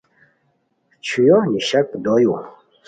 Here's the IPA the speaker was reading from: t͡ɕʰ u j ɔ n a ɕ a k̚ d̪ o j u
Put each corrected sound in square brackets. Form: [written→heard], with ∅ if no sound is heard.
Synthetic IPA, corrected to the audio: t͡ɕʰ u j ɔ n [a→i] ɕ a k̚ d̪ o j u